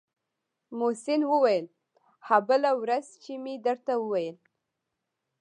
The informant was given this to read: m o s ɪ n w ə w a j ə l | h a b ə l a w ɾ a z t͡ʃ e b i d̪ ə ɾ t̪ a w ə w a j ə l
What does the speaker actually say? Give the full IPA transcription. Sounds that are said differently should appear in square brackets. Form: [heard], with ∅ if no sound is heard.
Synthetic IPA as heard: m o s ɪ n w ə w a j ə l | h a b ə l a w ɾ a z t͡ʃ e [m] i d̪ ə ɾ t̪ a w ə w a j ə l